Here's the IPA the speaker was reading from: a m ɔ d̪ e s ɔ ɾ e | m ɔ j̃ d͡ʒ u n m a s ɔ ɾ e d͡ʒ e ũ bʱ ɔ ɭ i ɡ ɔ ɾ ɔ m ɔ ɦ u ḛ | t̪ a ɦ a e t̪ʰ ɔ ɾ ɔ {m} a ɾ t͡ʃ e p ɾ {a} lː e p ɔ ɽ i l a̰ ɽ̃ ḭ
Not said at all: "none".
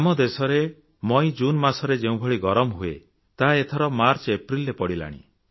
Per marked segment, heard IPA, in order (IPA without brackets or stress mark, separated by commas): m, i